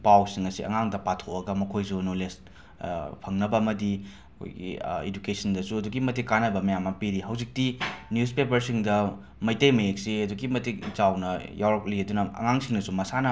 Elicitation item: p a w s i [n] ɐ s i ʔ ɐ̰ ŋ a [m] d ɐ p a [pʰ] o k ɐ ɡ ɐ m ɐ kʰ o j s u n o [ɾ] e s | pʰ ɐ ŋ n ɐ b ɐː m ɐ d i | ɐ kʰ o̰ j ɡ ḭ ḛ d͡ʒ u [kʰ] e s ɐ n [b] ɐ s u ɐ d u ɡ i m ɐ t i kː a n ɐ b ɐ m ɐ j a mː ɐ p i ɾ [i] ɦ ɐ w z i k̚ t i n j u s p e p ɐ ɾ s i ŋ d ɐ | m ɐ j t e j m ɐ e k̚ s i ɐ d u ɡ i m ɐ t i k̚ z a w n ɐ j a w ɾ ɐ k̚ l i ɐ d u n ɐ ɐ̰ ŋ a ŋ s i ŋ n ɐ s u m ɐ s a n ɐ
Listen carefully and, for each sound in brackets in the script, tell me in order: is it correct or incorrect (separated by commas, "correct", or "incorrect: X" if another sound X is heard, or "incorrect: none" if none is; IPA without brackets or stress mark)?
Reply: incorrect: ŋ, incorrect: ŋ, incorrect: tʰ, incorrect: l, incorrect: k, incorrect: d, correct